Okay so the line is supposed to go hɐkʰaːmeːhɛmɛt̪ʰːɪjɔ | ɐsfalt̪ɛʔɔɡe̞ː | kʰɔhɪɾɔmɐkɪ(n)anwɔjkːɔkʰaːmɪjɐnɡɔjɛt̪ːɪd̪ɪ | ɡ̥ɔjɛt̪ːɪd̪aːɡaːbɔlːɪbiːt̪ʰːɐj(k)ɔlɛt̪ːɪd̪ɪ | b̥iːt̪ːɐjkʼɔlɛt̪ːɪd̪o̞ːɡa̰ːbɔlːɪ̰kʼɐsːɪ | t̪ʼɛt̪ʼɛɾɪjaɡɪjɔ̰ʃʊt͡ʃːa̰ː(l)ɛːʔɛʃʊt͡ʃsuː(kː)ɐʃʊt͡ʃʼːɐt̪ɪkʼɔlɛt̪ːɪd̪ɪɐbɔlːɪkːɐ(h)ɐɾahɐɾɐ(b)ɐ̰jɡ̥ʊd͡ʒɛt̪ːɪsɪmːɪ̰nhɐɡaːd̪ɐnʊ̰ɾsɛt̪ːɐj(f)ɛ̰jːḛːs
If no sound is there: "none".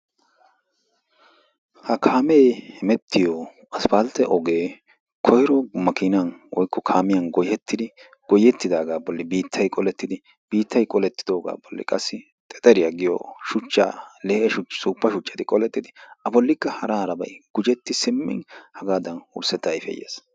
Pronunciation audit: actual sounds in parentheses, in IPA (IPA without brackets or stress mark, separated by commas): n, kʼ, l, pː, h, b, f